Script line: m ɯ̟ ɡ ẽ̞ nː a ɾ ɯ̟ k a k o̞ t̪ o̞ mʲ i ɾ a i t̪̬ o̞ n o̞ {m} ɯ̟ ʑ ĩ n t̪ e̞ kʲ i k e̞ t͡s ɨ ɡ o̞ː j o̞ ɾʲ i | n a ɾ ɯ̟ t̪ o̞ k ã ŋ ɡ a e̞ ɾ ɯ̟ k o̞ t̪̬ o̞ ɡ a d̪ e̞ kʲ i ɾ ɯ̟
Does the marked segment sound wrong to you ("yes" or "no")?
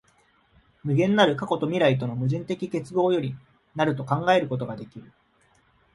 no